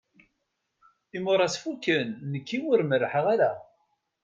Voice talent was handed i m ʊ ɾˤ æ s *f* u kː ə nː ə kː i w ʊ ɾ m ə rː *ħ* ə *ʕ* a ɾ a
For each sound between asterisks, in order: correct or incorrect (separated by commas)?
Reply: correct, correct, incorrect